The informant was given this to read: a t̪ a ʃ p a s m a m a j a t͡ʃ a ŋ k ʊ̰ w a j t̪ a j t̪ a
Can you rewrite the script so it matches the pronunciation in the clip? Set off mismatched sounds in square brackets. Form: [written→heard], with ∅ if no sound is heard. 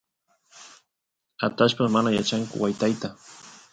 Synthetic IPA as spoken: a t̪ a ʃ p a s m a [m→n] a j a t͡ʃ a ŋ k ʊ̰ w a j t̪ a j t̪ a